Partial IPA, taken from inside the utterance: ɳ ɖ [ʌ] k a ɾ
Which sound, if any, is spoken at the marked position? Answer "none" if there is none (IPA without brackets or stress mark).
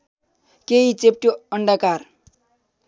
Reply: a